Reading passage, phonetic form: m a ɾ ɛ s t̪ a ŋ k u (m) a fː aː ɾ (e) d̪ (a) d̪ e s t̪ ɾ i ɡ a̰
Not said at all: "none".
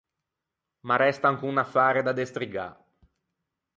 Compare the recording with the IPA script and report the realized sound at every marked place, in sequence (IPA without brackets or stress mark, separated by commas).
n, e, a